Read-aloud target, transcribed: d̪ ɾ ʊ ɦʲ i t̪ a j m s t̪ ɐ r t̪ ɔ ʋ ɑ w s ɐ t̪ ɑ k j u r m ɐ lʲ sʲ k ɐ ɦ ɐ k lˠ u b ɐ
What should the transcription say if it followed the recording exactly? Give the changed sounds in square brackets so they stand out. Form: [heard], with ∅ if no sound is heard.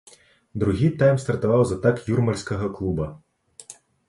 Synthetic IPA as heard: d̪ ɾ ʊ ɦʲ i t̪ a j m s t̪ ɐ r t̪ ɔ ʋ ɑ w [z] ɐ t̪ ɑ k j u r m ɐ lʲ sʲ k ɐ ɦ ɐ k lˠ u b ɐ